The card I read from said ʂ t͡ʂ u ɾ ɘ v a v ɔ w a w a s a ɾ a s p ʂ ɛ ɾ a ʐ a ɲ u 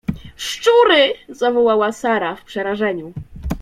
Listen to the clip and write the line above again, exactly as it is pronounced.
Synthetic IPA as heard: ʂ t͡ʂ u ɾ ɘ z a v ɔ w a w a s a ɾ a f p ʂ ɛ ɾ a ʐ ɛ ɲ u